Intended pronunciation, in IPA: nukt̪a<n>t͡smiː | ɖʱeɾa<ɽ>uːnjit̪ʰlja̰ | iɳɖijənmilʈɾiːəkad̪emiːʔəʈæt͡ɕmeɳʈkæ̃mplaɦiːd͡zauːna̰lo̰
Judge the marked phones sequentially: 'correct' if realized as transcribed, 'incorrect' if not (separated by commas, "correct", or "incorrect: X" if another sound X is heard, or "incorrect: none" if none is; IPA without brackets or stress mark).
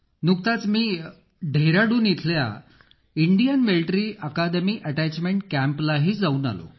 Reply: incorrect: none, correct